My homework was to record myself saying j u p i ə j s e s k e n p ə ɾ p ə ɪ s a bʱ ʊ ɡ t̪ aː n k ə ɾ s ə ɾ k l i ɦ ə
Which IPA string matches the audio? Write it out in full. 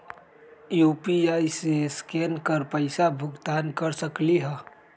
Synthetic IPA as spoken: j u p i a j s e s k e n k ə ɾ p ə ɪ s a bʱ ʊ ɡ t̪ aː n k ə ɾ s ə k l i ɦ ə